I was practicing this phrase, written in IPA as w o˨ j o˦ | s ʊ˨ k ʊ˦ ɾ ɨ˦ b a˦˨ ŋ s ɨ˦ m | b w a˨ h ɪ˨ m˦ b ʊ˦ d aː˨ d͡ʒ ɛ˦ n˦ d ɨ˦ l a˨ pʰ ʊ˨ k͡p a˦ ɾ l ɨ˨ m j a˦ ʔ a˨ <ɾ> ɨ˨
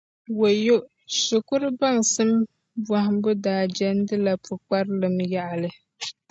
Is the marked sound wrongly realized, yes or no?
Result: yes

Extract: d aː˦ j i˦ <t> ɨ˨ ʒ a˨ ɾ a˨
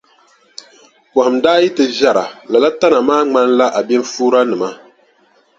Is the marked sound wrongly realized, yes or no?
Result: no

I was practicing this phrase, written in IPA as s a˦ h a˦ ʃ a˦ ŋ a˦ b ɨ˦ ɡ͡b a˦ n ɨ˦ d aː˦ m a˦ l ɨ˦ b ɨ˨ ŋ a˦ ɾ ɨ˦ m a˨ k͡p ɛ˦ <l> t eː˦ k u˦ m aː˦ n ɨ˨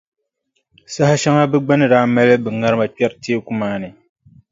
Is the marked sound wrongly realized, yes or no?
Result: yes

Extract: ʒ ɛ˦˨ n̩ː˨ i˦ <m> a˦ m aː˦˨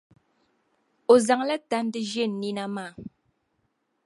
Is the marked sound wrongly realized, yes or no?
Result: yes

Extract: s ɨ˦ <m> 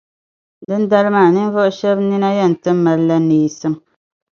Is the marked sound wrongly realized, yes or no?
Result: no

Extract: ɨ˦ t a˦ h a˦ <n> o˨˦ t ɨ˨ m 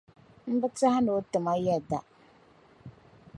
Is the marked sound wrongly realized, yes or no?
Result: no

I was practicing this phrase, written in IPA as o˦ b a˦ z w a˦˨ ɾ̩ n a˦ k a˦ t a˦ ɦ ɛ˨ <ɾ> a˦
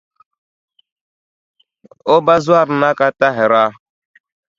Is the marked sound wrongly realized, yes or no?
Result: no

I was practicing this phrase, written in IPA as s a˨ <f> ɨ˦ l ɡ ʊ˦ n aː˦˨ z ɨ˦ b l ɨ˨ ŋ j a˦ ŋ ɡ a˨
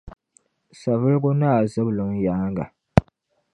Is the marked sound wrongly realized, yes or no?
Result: yes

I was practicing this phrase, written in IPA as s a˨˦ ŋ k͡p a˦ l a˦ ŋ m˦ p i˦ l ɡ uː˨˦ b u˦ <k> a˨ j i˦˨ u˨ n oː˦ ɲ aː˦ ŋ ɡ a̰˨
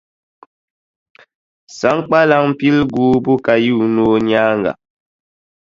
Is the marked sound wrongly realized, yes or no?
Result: no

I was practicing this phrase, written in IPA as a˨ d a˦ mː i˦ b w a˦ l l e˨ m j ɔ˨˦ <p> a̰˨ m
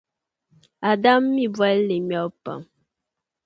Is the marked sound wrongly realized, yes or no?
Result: no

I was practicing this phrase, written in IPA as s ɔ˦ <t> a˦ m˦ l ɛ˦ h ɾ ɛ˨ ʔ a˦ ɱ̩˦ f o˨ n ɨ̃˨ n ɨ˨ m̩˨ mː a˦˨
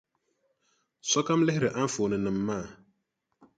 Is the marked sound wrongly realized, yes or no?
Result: yes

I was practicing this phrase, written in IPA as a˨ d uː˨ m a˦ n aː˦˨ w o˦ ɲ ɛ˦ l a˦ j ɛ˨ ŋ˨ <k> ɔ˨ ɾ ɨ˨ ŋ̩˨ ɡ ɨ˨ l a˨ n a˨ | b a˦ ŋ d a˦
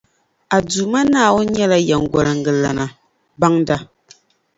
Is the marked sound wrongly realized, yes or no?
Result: yes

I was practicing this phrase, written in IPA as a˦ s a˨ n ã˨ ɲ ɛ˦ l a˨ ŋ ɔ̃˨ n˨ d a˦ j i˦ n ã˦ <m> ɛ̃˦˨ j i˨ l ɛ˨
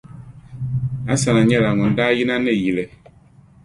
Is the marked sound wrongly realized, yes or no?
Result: yes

